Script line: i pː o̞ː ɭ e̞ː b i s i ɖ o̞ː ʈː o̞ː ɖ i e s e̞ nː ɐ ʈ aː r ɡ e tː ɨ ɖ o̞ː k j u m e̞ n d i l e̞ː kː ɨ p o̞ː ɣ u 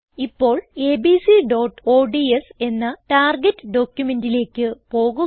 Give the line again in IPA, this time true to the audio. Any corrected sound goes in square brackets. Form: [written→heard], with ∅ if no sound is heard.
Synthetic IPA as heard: i pː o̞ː ɭ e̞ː b i s i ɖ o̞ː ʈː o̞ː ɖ i e s e̞ nː ɐ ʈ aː r ɡ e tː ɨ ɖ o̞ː k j u m e̞ n d i l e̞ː kː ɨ p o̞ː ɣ u